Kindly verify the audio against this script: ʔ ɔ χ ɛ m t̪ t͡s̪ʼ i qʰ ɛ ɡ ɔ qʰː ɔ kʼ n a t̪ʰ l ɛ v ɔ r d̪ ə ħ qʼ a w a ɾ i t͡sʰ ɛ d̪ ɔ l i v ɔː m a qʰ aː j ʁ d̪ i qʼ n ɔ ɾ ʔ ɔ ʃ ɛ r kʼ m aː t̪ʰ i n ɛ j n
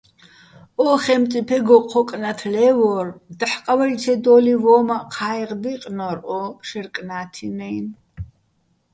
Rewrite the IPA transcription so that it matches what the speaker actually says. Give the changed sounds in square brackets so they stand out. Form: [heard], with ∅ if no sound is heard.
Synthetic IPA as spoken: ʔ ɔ χ ɛ m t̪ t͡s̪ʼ i [pʰ] ɛ ɡ ɔ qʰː ɔ kʼ n a t̪ʰ l ɛ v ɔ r d̪ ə ħ qʼ a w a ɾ i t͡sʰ ɛ d̪ ɔ l i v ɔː m a qʰ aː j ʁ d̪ i qʼ n ɔ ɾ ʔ ɔ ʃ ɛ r kʼ [n] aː t̪ʰ i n ɛ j n

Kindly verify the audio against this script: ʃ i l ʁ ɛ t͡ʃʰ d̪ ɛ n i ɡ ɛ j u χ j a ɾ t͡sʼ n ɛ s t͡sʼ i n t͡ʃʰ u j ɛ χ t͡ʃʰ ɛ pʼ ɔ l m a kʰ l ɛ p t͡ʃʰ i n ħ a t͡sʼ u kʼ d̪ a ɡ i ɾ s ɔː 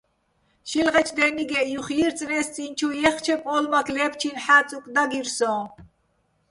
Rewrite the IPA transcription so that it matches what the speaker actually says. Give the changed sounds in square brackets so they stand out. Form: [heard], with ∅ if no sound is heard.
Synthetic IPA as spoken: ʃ i l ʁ ɛ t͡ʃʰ d̪ ɛ n i ɡ ɛ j u χ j [i] ɾ t͡sʼ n ɛ s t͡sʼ i n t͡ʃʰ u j ɛ χ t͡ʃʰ ɛ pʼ ɔ l m a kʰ l ɛ p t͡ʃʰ i n ħ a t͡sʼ u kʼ d̪ a ɡ i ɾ s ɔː

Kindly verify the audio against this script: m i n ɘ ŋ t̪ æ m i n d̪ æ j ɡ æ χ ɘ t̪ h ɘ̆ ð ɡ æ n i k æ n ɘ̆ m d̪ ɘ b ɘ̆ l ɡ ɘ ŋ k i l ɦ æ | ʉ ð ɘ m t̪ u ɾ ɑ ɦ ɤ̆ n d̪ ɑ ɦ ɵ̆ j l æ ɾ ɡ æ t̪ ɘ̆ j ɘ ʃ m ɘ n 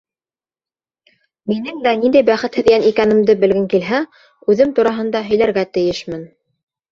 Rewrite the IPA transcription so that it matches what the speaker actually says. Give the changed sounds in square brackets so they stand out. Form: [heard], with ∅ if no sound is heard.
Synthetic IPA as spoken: m i n ɘ ŋ [d̪] æ [n] i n d̪ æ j [b] æ χ ɘ t̪ h ɘ̆ ð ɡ æ n i k æ n ɘ̆ m d̪ ɘ b ɘ̆ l ɡ ɘ ŋ k i l ɦ æ | ʉ ð ɘ m t̪ u ɾ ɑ ɦ ɤ̆ n d̪ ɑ ɦ ɵ̆ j l æ ɾ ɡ æ t̪ ɘ̆ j ɘ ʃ m ɘ n

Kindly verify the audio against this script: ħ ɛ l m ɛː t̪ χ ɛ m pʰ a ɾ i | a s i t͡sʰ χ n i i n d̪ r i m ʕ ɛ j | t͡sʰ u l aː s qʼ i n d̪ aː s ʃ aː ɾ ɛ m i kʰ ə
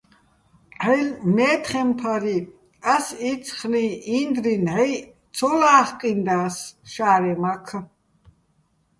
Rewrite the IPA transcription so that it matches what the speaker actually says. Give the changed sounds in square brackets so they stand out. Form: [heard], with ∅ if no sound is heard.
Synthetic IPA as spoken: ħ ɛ l m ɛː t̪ χ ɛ m pʰ a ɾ i | a s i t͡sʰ χ n i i n d̪ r i [n] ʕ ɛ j | t͡sʰ [ɔ] l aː [χ] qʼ i n d̪ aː s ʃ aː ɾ ɛ m [a] kʰ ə

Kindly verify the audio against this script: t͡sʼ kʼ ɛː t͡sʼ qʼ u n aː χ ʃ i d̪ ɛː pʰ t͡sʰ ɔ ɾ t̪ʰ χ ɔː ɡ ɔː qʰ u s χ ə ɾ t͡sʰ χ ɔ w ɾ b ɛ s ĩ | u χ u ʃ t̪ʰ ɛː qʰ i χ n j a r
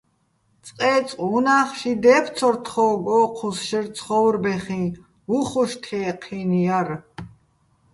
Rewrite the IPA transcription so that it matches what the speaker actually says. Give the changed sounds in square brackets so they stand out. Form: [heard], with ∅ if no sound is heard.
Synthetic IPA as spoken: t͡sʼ [qʼ] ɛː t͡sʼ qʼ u n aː χ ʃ i d̪ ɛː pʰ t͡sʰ ɔ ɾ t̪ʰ χ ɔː ɡ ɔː qʰ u s [ʃ] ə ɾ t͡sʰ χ ɔ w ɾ b ɛ [χ] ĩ | u χ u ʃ t̪ʰ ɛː qʰ i [∅] n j a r

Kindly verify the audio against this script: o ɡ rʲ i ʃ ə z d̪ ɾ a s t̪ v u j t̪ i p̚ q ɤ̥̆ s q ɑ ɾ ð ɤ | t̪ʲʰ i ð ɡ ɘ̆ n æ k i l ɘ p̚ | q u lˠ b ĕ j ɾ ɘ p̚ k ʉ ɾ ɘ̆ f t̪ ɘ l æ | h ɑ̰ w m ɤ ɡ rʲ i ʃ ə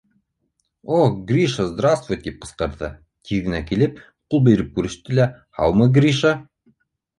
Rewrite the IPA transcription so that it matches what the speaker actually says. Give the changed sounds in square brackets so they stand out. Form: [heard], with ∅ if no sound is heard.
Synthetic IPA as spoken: o ɡ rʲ i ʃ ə z d̪ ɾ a s t̪ v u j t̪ i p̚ q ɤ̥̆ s q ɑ ɾ ð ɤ | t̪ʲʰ i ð ɡ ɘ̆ n æ k i l ɘ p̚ | q u lˠ b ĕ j ɾ ɘ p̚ k ʉ ɾ ɘ̆ [ʃ] t̪ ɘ l æ | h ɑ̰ w m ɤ ɡ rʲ i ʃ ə

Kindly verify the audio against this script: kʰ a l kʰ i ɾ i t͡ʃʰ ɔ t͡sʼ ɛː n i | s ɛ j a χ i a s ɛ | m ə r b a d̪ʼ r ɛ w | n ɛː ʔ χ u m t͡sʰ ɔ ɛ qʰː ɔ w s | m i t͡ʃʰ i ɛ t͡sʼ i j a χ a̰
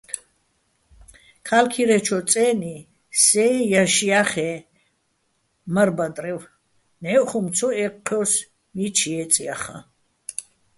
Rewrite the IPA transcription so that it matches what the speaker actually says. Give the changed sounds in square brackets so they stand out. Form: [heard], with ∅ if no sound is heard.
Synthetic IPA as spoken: kʰ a l kʰ i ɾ [ɛ] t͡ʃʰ ɔ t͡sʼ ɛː n i | s ɛ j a [ʃ] i a [χ] ɛ | m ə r b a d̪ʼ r ɛ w | n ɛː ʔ χ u m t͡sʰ ɔ ɛ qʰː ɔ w s | m i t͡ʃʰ i ɛ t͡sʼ i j a χ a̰

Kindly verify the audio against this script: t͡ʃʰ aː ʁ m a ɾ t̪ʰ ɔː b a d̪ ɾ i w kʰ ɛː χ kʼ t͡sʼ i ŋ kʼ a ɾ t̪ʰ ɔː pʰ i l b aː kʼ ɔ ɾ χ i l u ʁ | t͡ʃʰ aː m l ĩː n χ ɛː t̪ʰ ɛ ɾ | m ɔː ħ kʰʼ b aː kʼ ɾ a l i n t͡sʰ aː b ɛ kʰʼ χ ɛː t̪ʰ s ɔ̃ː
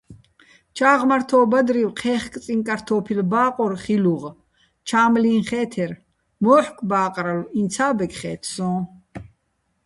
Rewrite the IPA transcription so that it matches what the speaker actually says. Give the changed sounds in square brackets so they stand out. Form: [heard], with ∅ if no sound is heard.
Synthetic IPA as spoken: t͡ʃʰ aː ʁ m a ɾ t̪ʰ ɔː b a d̪ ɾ i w [qʰ] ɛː χ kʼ t͡sʼ i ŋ kʼ a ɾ t̪ʰ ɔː pʰ i l b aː [qʼ] ɔ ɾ χ i l u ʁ | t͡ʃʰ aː m l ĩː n χ ɛː t̪ʰ ɛ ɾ | m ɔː ħ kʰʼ b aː [qʼ] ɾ a l i n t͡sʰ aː b ɛ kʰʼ χ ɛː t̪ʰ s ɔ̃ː

